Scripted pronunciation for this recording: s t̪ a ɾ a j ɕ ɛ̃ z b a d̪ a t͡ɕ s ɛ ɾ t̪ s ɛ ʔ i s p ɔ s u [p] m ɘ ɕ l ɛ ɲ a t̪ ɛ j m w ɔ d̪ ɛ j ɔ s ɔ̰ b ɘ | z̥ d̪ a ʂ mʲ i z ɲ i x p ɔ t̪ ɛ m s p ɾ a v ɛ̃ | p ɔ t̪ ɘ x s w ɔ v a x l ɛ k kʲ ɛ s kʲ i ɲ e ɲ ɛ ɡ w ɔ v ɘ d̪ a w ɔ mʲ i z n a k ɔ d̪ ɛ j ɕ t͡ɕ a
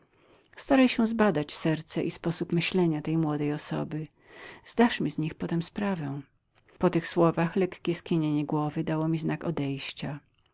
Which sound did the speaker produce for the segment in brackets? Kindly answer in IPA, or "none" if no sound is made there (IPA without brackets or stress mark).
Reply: p